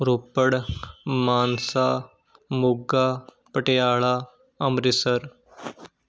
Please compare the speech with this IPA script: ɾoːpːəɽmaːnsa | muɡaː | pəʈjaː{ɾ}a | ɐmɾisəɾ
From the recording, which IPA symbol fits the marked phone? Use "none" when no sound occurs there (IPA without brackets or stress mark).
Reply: ɭ